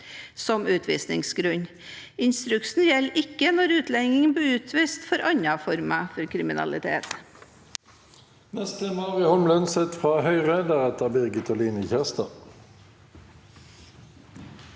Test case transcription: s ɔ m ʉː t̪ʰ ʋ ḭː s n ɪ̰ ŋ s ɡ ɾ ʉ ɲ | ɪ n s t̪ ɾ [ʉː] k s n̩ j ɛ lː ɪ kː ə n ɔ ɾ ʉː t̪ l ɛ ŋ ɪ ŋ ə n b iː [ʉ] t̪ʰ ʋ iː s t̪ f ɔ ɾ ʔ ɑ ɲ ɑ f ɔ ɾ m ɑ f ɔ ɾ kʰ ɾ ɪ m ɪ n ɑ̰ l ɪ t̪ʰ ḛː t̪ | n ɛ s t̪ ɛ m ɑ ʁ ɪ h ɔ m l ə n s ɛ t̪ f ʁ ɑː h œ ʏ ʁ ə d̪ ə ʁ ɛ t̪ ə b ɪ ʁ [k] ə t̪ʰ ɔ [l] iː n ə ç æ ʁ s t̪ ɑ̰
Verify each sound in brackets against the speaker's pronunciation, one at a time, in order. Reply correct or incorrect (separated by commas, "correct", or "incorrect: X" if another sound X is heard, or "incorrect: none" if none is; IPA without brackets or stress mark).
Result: incorrect: ʉ, incorrect: ʉː, incorrect: ɡ, correct